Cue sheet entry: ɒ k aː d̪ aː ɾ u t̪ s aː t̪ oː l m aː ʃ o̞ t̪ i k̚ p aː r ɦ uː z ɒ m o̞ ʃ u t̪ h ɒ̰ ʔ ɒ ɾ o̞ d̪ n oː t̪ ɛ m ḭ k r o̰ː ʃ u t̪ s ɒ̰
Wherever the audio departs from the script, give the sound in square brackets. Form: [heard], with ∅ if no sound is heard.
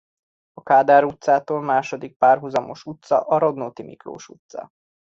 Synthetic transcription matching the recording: ɒ k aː d̪ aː ɾ u t̪ s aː t̪ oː l m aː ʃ o̞ [d̪] i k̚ p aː r ɦ [u] z ɒ m o̞ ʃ u t̪ [s] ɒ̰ ʔ ɒ ɾ o̞ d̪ n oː t̪ [i] m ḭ k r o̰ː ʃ u t̪ s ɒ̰